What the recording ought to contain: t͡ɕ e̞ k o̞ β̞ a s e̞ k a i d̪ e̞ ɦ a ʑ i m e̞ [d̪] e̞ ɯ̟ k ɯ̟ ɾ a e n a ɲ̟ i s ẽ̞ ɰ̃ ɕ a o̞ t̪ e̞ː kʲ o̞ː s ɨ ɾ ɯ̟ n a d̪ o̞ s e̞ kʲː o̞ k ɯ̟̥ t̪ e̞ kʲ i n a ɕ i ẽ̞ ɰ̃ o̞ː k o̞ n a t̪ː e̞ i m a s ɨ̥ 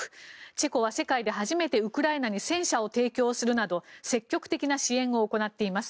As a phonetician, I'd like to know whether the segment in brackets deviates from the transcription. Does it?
yes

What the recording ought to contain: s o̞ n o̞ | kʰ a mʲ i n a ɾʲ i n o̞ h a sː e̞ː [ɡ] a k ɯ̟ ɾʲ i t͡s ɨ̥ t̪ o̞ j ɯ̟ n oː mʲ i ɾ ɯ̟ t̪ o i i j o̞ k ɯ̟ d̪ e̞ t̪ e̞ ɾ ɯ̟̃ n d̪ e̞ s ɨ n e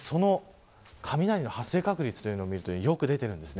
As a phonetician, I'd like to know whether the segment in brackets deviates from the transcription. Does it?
yes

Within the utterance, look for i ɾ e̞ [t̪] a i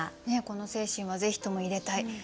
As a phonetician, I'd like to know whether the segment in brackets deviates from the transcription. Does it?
no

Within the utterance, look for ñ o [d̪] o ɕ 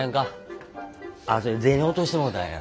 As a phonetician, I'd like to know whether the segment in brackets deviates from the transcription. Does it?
yes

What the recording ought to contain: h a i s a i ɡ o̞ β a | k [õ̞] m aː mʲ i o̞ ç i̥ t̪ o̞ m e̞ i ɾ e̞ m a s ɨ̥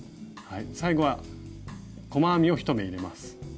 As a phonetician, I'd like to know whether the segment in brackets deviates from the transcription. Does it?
yes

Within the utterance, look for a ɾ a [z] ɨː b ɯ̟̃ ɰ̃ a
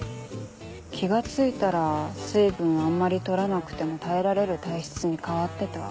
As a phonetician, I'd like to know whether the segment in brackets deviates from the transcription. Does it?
yes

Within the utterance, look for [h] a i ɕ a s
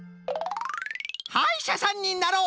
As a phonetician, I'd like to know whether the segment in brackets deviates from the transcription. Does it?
no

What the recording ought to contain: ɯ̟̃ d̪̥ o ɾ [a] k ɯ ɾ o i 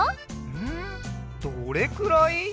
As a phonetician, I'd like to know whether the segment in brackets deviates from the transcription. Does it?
yes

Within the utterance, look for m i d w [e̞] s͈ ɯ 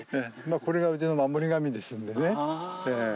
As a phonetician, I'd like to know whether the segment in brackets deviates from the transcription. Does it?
no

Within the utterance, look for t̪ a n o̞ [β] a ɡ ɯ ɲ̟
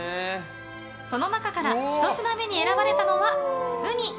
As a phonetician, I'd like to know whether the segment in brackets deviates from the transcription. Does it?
no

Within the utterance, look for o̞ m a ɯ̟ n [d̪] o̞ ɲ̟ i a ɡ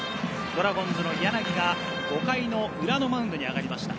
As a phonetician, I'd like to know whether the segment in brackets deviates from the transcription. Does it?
no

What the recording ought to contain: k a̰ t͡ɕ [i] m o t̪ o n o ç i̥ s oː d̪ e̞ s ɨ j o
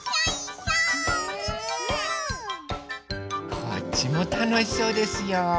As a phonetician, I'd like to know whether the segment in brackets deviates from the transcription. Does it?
no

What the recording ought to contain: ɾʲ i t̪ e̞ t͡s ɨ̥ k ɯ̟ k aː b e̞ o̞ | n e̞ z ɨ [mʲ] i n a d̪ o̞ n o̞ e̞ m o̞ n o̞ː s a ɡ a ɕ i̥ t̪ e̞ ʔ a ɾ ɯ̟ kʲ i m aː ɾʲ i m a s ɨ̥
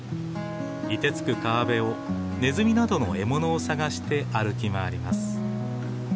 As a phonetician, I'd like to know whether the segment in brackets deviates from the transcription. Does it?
no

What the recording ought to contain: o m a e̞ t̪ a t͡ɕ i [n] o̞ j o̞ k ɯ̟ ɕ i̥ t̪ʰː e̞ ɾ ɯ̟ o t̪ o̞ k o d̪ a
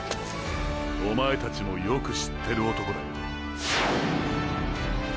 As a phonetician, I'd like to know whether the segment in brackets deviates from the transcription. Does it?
yes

